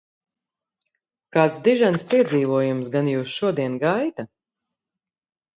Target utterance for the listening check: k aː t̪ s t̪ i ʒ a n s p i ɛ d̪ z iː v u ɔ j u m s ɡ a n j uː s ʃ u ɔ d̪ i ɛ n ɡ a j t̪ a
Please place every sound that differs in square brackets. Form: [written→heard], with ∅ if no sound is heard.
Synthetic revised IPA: k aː t̪ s [t̪→d̪] i ʒ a n s p i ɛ d̪ z iː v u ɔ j u m s ɡ a n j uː s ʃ u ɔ d̪ i ɛ n ɡ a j t̪ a